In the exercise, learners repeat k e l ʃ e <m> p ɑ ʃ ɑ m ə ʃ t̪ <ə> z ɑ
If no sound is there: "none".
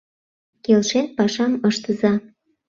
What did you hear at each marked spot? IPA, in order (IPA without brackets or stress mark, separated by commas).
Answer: n, ə